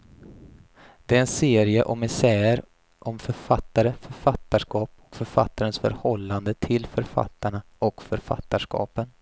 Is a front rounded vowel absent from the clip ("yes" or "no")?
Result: no